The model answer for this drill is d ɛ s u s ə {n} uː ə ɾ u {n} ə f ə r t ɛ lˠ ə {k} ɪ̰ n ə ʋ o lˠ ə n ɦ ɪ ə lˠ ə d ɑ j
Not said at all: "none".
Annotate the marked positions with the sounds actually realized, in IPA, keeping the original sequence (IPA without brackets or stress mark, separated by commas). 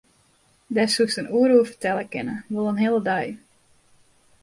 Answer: n, none, k